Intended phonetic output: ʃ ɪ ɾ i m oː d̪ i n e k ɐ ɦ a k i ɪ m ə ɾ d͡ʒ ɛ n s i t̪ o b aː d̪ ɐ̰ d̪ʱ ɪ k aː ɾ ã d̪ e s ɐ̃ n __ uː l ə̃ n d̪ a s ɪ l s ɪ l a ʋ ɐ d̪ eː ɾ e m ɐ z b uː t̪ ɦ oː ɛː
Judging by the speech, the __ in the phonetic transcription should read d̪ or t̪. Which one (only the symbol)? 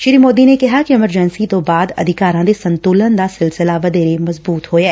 t̪